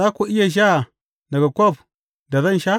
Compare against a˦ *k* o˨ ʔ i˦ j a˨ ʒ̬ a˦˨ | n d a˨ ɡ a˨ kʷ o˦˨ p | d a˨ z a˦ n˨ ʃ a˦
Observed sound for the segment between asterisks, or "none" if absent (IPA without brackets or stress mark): k